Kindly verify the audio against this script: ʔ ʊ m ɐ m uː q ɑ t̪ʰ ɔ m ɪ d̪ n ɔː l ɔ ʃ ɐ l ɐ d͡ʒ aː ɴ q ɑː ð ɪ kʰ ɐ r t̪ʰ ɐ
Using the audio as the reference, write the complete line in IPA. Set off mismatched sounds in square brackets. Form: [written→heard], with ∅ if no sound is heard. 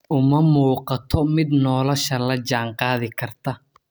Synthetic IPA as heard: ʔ ʊ m ɐ m uː q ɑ t̪ʰ ɔ m ɪ d̪ n ɔː l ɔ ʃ ɐ l ɐ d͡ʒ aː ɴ q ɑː ð ɪ kʰ ɐ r t̪ʰ ɐ